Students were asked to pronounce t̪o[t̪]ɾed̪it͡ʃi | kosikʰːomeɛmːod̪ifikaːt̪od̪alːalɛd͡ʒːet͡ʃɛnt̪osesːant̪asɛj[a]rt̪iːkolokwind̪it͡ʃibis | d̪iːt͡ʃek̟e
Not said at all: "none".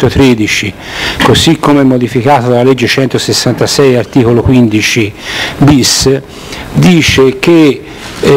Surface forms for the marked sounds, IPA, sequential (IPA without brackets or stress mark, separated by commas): t̪, a